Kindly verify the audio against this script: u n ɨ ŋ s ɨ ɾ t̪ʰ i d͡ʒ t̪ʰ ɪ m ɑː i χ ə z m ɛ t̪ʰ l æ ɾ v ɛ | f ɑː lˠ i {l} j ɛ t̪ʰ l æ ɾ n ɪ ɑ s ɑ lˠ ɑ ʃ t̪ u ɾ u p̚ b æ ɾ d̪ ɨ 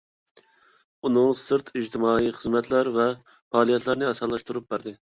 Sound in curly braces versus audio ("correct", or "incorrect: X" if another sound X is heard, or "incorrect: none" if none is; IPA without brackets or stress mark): incorrect: none